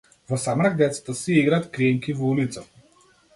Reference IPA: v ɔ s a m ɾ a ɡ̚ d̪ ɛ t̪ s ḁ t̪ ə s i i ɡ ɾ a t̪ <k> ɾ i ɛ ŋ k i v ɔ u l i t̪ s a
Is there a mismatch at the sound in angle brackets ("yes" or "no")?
no